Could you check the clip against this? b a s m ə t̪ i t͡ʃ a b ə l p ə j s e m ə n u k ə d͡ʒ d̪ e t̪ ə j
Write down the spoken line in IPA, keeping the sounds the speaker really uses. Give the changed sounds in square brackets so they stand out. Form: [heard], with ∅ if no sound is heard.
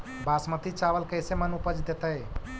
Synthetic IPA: b a s m ə t̪ i t͡ʃ a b ə l [k] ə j s e m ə n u [p] ə d͡ʒ d̪ e t̪ ə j